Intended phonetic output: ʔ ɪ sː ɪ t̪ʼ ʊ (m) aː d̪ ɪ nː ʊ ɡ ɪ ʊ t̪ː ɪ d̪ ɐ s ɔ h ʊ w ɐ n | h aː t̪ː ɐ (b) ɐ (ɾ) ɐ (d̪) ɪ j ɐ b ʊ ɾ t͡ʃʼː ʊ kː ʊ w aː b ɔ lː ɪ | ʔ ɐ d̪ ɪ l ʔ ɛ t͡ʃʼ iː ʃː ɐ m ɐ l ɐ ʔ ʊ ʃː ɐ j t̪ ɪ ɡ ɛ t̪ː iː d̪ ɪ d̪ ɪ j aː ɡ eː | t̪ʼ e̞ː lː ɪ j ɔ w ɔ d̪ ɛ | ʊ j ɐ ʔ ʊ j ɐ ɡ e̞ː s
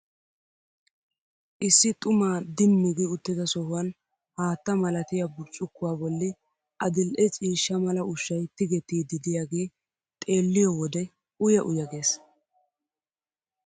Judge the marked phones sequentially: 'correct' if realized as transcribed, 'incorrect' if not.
correct, incorrect: m, incorrect: l, incorrect: t̪

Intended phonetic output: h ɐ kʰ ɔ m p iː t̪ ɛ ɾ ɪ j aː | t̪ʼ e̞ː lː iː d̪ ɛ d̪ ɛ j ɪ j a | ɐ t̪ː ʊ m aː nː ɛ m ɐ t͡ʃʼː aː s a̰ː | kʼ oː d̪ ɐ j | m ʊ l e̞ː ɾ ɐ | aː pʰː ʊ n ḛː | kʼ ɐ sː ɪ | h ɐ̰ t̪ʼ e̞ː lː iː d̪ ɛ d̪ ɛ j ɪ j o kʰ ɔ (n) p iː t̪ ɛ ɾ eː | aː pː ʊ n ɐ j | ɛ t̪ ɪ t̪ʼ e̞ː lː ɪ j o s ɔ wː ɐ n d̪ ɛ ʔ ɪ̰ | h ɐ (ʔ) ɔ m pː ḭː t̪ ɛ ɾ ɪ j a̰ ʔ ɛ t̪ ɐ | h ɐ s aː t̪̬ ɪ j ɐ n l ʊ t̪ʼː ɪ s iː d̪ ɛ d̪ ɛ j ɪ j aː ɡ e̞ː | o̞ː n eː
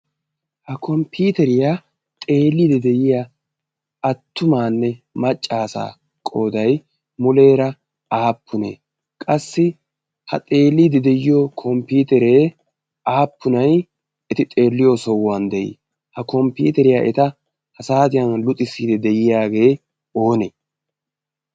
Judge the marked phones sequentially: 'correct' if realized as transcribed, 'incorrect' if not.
incorrect: m, incorrect: k

